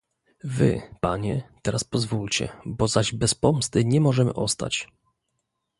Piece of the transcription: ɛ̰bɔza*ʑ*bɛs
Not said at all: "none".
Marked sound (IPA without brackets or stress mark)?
ʑ